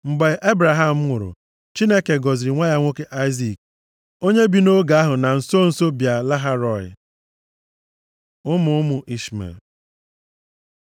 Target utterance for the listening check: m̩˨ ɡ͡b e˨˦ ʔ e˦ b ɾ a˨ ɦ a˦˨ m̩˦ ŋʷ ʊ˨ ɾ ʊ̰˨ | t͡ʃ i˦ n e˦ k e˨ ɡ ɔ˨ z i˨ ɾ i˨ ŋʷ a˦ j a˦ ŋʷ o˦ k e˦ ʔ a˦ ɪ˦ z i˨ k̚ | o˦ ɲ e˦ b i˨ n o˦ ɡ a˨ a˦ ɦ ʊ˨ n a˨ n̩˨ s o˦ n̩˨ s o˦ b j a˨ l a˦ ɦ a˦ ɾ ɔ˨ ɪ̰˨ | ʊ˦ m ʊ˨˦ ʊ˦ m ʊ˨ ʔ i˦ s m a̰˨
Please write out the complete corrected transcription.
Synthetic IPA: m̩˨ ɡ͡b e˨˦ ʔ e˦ b ɾ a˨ ɦ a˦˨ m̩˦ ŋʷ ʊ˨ ɾ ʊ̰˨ | t͡ʃ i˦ n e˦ k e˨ ɡ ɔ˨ z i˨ ɾ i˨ ŋʷ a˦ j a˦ ŋʷ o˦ k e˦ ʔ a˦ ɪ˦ z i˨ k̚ | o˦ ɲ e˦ b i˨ n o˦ ɡ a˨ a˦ ɦ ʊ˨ n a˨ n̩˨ s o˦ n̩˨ s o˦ b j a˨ l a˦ ɦ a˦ ɾ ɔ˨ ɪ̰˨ | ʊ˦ m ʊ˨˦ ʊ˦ m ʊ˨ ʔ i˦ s m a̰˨